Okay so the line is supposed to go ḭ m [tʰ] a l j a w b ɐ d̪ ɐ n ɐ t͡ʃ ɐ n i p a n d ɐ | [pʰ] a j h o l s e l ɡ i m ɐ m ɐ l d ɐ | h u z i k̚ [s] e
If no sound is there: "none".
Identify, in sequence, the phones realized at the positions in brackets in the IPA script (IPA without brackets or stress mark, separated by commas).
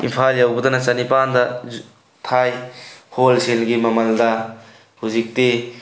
pʰ, tʰ, t